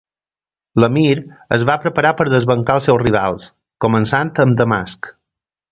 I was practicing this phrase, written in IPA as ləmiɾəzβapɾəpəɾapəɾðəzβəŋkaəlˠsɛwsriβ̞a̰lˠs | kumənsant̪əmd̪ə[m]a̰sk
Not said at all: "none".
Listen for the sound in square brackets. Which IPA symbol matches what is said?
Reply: m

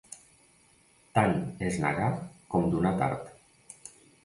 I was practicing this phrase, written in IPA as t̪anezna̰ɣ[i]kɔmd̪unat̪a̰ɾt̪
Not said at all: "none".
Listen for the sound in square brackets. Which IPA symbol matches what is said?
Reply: a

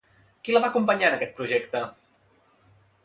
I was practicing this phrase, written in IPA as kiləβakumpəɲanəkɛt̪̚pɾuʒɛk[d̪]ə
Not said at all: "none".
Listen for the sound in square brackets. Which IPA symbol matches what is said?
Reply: t̪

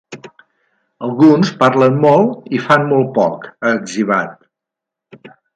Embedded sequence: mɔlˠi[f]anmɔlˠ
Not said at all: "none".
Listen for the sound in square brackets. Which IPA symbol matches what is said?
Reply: f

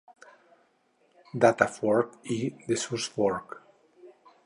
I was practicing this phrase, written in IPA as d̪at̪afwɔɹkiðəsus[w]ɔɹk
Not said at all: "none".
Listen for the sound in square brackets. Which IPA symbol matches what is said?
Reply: w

